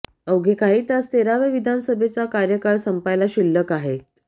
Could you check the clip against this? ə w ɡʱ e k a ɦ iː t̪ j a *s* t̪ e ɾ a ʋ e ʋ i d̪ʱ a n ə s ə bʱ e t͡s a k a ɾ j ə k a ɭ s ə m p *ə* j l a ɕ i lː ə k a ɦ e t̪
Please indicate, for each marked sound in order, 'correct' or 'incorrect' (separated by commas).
correct, incorrect